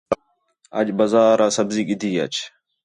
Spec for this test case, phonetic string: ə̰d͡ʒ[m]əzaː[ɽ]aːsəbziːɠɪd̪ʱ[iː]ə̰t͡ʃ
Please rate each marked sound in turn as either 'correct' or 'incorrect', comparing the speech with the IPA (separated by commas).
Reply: incorrect, incorrect, correct